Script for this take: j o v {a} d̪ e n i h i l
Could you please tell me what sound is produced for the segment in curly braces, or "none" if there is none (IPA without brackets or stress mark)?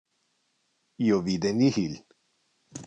i